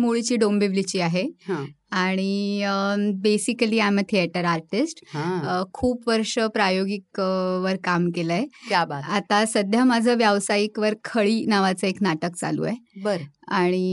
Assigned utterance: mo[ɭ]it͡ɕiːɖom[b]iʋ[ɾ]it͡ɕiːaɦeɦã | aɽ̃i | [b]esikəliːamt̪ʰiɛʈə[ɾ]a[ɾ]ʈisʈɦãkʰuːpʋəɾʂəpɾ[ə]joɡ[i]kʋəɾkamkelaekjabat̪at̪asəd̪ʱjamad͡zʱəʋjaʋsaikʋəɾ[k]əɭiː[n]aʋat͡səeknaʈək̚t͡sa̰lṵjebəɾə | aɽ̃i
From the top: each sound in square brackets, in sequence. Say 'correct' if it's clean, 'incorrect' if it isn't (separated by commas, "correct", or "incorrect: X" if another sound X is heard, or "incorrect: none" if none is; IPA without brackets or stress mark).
correct, correct, incorrect: l, correct, correct, correct, incorrect: a, correct, incorrect: kʰ, correct